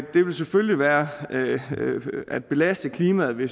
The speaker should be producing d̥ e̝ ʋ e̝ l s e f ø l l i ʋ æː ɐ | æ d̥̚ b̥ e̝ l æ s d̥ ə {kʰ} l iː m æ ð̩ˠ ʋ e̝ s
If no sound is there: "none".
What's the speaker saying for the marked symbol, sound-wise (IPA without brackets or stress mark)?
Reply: kʰ